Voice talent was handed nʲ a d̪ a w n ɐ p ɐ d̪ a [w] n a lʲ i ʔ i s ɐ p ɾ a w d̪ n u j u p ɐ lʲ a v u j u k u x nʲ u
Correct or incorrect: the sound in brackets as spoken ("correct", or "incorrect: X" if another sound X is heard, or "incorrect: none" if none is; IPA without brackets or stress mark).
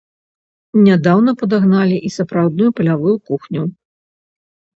incorrect: ɣ